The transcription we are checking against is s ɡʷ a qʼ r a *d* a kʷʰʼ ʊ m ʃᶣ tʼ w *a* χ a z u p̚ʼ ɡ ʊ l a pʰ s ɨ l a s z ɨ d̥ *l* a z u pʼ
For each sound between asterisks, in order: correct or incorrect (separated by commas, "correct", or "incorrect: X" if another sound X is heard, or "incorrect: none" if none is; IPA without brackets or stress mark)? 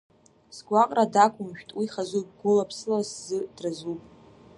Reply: correct, incorrect: i, incorrect: r